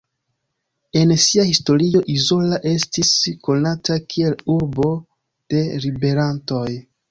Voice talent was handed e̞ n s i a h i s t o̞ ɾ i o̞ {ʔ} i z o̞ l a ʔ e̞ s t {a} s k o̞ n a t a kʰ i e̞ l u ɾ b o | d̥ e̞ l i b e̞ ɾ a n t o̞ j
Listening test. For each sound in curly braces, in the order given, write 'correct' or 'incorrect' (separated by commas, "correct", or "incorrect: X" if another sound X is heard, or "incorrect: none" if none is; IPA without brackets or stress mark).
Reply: correct, incorrect: i